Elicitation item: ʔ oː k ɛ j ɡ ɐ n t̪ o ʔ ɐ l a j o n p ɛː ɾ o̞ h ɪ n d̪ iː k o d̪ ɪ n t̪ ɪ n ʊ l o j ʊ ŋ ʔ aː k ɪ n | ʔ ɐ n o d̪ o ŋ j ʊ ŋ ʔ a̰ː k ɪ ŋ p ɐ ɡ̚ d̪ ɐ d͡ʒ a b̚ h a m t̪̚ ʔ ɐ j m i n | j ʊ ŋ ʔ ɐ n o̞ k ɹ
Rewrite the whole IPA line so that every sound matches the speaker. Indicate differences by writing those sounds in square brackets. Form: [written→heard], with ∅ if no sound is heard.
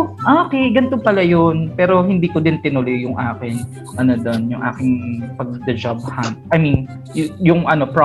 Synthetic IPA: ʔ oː k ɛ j ɡ ɐ n t̪ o [ʔ→p] ɐ l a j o n p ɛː ɾ o̞ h ɪ n d̪ iː k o d̪ ɪ n t̪ ɪ n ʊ l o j ʊ ŋ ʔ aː k ɪ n | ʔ ɐ n o d̪ o [ŋ→n] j ʊ ŋ ʔ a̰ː k ɪ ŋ p ɐ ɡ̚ d̪ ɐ d͡ʒ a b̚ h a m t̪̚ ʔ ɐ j m i n | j ʊ ŋ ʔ ɐ n o̞ [k→p] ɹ